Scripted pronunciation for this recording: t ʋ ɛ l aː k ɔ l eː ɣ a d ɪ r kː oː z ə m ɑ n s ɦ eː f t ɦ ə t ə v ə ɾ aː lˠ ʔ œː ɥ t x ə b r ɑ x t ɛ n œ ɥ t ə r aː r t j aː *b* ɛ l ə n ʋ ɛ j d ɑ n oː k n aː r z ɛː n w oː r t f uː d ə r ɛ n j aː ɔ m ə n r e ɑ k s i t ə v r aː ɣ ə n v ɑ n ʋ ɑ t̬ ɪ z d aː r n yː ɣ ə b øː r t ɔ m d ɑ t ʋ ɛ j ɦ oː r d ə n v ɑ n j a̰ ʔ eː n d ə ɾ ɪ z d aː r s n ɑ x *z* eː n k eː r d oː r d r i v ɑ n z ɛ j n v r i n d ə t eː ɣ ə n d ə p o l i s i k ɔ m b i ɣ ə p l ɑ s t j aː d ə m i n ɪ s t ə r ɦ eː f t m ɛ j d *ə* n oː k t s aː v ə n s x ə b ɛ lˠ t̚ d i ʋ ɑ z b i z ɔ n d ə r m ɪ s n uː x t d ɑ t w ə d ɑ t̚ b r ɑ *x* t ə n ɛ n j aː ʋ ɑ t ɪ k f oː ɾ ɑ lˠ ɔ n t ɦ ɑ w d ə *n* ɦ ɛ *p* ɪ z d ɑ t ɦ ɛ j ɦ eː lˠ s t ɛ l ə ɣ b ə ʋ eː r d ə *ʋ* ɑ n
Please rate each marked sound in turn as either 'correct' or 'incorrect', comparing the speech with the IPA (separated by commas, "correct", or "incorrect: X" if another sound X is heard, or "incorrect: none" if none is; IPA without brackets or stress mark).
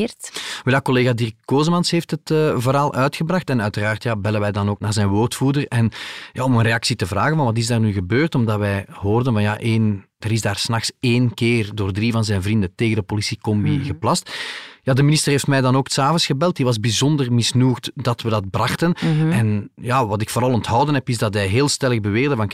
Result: correct, incorrect: s, incorrect: ɑ, correct, correct, correct, incorrect: v